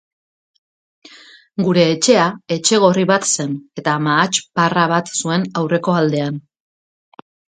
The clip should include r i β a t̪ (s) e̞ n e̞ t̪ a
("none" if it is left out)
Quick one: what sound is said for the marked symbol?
s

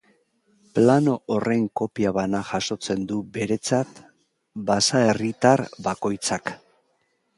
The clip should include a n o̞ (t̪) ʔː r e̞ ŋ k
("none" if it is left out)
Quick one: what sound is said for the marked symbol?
none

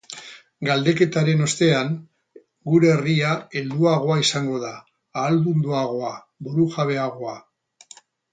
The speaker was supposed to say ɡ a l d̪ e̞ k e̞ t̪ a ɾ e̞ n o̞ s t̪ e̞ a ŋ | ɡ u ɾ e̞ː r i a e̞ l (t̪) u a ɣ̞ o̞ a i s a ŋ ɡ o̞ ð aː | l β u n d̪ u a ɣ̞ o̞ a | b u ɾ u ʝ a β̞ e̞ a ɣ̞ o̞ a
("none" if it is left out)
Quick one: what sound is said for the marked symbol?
d̪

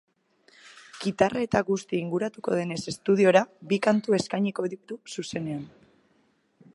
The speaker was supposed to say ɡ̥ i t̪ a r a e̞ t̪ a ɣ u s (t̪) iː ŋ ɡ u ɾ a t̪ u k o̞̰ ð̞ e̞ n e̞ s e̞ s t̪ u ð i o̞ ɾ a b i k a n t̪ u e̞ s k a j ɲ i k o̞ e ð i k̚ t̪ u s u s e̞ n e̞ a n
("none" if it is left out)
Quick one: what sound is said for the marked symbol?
t̪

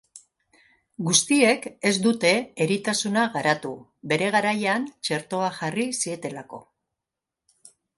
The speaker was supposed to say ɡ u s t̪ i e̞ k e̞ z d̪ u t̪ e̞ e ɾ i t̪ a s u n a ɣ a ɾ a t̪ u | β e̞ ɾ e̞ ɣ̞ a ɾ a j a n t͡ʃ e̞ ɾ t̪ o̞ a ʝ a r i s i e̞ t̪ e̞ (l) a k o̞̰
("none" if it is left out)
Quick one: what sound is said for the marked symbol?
l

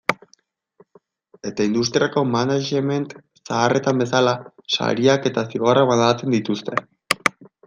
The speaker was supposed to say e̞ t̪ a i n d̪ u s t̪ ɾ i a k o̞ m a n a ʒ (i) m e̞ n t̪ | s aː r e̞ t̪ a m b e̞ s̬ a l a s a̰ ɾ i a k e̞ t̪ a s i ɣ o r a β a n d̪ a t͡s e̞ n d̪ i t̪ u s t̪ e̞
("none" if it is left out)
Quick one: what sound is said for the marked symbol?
e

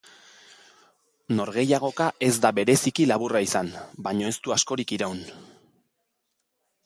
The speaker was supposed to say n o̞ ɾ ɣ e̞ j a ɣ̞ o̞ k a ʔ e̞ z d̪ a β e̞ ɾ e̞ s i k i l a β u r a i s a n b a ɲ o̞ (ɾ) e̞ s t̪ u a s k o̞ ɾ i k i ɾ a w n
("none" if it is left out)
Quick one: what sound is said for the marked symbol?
none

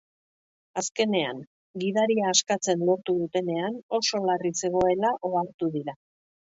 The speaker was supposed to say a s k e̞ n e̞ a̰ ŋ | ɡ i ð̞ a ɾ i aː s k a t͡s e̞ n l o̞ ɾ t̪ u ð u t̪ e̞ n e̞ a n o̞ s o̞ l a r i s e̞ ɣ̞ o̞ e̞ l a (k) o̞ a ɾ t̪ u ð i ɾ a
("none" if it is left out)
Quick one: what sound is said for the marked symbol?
ʔ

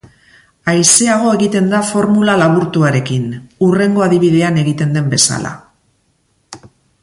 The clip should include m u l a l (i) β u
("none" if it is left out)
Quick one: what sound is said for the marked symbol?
a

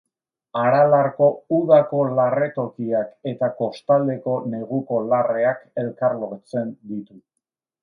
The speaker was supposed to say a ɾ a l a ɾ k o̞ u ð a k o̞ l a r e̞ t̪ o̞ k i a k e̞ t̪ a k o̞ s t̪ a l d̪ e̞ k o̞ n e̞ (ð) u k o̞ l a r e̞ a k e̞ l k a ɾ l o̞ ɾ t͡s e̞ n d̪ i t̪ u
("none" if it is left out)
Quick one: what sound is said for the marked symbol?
ɣ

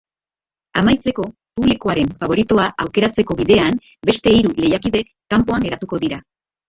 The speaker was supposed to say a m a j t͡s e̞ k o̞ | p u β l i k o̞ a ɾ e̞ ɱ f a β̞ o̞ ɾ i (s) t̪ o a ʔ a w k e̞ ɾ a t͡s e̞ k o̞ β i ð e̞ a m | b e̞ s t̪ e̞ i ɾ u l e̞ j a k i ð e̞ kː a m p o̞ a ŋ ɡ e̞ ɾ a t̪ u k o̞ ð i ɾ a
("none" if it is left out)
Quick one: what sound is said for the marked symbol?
none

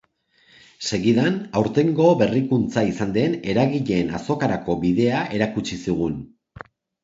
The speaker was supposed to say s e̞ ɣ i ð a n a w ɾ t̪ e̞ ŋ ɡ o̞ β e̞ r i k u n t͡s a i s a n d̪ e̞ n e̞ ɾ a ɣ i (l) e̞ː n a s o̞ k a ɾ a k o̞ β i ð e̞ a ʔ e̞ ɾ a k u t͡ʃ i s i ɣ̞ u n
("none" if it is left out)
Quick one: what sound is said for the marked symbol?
ʎ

